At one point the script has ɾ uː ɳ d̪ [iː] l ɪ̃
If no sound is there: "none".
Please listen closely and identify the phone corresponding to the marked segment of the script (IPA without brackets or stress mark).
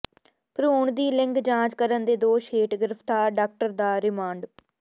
iː